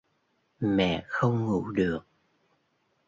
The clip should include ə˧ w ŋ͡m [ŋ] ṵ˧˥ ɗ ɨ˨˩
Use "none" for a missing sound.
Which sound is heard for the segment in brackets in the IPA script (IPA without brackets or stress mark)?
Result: ŋ